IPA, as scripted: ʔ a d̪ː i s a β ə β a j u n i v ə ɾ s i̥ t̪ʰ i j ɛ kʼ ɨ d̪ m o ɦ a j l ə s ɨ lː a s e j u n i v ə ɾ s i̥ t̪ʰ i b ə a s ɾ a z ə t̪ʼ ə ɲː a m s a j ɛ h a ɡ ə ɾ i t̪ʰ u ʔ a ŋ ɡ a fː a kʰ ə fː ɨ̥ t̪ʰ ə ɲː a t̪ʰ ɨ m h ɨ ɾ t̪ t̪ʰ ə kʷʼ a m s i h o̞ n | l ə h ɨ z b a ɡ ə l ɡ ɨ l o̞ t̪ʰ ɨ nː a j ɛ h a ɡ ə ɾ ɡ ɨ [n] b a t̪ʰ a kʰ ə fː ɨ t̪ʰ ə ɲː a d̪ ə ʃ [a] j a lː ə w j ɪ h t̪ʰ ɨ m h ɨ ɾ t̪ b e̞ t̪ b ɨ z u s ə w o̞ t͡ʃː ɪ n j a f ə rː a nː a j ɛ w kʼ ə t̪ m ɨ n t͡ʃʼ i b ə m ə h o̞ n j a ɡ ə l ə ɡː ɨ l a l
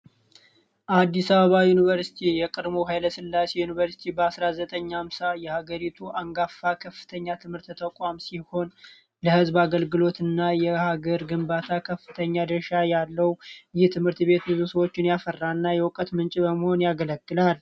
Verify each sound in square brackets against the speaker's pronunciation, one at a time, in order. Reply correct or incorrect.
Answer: incorrect, correct

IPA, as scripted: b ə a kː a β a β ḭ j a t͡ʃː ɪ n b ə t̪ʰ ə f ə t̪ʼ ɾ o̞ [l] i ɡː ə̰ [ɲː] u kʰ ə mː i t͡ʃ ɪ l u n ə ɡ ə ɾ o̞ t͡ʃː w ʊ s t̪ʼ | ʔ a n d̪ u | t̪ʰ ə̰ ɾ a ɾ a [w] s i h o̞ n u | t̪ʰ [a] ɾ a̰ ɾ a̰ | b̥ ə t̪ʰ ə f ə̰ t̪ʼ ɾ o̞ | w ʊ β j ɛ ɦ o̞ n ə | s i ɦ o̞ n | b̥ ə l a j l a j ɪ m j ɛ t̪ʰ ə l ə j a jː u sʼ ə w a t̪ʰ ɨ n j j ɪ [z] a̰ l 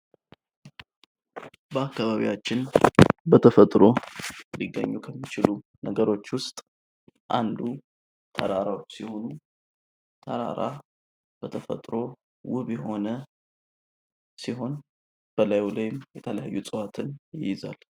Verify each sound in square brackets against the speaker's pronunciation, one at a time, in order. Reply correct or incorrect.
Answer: correct, correct, correct, incorrect, correct

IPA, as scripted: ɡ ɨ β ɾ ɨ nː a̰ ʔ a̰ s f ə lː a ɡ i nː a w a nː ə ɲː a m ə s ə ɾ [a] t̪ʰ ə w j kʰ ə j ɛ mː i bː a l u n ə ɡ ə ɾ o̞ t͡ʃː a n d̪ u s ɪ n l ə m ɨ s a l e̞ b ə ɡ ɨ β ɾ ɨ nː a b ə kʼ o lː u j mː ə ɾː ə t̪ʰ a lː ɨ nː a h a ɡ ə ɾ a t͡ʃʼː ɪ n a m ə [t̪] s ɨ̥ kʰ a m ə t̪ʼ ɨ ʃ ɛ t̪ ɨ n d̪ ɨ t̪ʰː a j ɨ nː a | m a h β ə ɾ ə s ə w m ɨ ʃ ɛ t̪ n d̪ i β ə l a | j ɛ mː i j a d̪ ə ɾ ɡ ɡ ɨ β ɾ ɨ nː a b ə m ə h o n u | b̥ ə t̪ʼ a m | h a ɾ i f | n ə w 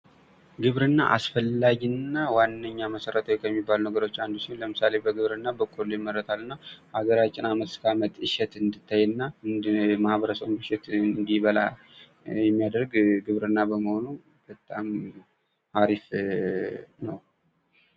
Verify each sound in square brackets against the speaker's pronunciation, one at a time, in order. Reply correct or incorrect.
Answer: incorrect, correct

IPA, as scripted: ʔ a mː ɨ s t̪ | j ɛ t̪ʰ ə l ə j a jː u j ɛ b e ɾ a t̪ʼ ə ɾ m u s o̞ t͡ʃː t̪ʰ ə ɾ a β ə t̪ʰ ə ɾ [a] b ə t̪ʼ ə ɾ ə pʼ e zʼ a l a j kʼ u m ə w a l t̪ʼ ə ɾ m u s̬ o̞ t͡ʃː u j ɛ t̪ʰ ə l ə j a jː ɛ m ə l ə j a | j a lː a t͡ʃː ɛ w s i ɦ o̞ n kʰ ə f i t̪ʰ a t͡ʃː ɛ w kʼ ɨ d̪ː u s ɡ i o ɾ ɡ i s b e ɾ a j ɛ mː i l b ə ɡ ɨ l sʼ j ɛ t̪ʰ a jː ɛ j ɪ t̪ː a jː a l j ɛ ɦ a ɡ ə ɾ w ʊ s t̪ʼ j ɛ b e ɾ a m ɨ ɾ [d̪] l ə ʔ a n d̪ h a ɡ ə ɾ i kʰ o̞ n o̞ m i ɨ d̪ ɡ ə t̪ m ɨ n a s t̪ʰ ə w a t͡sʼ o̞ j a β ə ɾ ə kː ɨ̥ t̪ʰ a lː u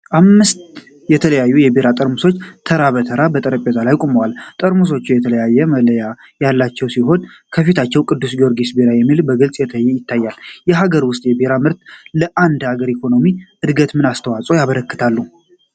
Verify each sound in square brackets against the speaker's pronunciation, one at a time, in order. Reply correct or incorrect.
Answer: correct, incorrect

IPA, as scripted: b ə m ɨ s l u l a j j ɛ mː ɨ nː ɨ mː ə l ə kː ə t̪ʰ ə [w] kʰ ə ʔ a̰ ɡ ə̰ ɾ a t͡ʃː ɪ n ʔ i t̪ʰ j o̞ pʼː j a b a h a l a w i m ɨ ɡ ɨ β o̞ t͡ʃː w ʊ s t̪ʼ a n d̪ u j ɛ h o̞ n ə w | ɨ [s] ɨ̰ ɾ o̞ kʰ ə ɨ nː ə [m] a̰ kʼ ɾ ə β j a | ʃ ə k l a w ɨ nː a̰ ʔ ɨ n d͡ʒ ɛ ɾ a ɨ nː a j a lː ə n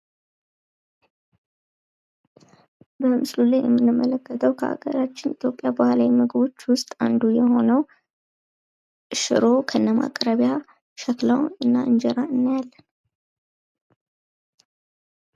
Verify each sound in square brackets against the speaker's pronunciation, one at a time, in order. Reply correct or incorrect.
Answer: correct, incorrect, correct

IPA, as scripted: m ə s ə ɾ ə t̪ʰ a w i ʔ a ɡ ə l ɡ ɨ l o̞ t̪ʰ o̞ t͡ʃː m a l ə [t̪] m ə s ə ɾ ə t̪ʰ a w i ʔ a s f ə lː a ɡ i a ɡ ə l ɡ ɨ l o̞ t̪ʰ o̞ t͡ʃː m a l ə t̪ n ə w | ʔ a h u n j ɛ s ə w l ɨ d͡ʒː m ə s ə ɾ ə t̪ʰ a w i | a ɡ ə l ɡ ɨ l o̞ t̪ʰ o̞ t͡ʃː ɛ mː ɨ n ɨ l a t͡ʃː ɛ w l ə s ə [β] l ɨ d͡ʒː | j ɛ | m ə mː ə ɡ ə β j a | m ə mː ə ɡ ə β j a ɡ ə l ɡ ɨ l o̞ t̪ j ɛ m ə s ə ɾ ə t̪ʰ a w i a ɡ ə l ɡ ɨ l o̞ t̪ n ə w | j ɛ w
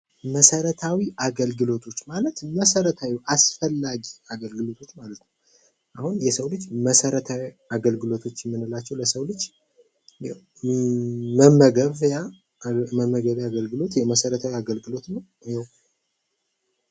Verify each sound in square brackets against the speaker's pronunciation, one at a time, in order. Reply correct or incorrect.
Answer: correct, incorrect

